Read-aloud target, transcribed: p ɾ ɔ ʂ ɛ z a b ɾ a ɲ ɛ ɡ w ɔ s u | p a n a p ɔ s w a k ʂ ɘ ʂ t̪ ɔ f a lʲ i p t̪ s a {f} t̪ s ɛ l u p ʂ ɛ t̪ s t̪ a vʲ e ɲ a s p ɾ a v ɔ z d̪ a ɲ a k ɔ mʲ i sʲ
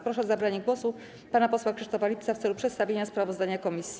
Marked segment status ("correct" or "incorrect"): correct